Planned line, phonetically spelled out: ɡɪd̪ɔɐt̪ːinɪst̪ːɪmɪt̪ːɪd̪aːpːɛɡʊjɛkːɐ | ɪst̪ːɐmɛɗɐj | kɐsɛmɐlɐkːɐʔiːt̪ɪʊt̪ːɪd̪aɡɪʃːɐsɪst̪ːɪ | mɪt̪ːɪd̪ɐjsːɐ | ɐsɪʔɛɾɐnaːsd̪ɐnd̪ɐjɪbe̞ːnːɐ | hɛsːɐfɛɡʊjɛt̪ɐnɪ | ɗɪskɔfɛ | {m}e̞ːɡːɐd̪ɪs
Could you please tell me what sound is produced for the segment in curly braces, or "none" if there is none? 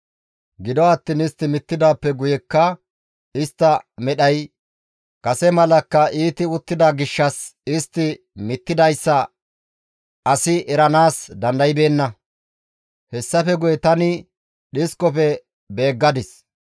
b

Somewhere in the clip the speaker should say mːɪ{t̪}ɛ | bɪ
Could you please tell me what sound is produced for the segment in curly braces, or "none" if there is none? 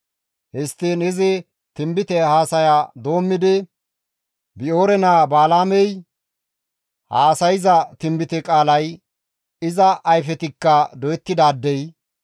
d̪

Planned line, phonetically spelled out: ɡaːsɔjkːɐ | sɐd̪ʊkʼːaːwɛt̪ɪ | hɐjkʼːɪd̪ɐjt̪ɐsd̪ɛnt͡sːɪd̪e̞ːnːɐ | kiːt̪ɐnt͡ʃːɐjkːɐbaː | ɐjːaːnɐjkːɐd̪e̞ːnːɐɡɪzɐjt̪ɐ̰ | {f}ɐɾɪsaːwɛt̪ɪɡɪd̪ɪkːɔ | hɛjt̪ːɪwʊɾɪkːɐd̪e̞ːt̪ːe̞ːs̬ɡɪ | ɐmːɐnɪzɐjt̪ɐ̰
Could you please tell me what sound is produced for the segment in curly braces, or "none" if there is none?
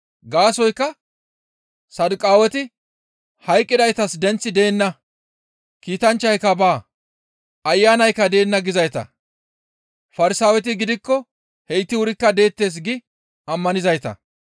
f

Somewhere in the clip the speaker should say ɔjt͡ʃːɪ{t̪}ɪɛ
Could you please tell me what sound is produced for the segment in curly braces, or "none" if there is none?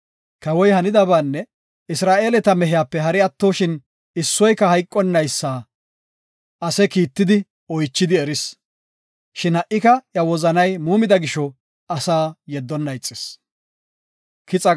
d̪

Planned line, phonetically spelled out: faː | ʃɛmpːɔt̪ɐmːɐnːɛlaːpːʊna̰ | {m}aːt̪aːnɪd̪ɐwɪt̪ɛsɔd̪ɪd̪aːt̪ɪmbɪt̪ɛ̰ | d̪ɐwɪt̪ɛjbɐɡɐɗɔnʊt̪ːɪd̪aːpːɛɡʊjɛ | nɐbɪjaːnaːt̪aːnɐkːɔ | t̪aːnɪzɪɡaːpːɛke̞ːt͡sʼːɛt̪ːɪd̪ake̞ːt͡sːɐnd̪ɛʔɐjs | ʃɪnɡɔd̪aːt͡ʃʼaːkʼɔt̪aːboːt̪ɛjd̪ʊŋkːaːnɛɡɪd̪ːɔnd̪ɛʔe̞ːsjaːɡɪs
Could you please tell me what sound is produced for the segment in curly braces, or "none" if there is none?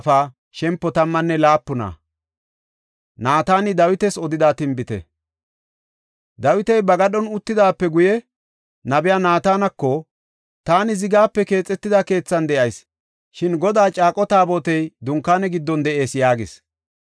n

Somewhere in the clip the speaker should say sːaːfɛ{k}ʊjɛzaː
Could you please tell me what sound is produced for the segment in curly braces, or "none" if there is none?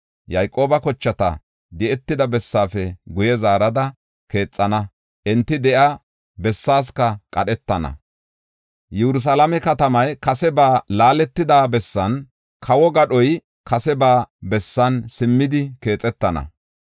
ɡ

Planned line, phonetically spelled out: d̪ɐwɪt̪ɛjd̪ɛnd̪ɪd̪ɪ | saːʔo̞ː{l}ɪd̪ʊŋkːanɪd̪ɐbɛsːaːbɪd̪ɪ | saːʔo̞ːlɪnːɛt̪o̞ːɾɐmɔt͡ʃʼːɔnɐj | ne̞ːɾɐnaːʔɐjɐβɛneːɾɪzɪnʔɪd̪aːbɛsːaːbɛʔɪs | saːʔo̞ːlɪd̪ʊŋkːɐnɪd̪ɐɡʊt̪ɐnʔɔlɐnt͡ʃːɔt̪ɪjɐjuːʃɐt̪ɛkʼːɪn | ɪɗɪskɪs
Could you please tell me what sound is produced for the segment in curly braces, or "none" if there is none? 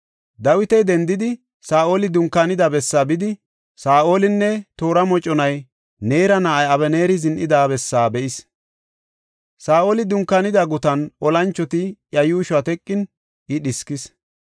l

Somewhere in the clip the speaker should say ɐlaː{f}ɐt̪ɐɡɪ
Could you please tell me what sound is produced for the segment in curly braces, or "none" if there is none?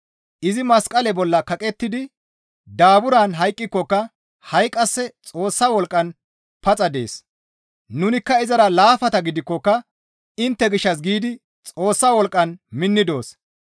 f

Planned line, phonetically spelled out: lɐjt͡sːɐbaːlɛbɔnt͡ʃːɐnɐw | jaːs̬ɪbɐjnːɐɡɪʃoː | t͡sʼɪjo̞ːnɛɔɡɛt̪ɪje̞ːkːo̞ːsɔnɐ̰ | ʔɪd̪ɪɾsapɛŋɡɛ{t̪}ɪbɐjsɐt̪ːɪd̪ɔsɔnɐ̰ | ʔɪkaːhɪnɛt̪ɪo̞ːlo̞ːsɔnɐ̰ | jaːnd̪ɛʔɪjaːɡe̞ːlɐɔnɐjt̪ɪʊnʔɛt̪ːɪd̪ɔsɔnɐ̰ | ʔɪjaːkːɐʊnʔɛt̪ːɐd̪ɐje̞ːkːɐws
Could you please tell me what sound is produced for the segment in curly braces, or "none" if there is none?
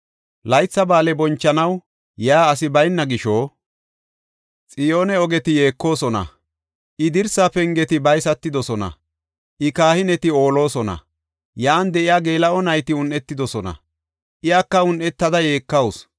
t̪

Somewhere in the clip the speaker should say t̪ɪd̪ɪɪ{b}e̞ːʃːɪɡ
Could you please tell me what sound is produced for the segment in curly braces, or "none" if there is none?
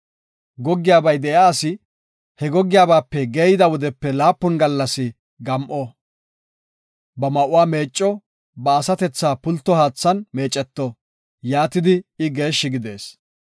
ɡ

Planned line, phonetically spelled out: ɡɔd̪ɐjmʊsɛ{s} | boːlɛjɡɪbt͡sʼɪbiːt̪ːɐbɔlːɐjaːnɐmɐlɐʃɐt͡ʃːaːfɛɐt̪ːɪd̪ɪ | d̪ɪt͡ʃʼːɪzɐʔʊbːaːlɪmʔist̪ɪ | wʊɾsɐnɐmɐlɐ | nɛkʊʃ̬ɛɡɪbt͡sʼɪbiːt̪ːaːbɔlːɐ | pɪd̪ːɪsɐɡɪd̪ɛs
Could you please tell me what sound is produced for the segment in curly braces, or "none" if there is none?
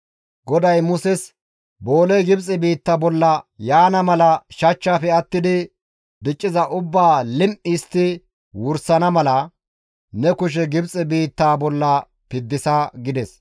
s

